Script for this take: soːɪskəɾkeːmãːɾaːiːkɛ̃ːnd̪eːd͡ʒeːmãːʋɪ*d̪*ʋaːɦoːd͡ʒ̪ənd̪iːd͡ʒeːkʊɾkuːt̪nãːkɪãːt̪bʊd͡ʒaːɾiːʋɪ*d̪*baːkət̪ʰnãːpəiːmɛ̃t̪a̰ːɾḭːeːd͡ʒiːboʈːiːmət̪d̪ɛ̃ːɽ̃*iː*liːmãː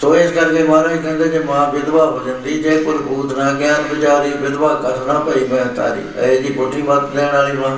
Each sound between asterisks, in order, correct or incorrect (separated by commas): correct, correct, incorrect